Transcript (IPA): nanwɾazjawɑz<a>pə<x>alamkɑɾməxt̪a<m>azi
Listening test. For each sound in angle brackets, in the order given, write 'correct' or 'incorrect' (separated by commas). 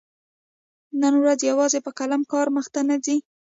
incorrect, incorrect, incorrect